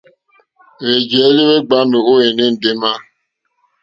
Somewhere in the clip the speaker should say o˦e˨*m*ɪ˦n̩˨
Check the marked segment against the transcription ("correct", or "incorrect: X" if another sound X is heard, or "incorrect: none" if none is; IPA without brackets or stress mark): incorrect: n